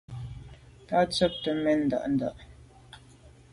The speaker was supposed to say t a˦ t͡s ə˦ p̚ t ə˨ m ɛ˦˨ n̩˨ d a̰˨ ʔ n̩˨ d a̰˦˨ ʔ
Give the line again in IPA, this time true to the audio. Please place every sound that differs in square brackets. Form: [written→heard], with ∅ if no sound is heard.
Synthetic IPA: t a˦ t͡s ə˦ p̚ t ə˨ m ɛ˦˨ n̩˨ d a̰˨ ʔ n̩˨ d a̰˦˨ ʔ